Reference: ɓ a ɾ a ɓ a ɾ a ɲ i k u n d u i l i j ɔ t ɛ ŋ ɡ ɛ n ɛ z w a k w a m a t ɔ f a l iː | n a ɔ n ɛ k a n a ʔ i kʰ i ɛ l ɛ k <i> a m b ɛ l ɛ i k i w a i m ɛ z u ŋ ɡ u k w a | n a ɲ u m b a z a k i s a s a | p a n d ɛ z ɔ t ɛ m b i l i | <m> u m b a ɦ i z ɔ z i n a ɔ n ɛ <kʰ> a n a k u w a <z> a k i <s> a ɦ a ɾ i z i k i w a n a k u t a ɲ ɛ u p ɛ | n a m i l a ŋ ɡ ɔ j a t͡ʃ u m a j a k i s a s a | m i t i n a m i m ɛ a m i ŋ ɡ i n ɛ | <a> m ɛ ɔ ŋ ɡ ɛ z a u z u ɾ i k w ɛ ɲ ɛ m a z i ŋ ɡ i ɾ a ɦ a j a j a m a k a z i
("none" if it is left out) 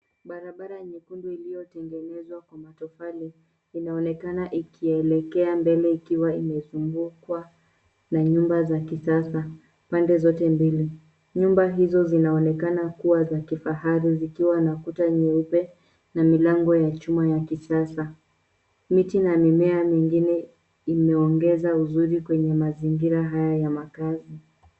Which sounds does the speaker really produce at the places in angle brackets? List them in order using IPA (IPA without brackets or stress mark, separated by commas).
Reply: ɛ, ɲ, k, z, f, i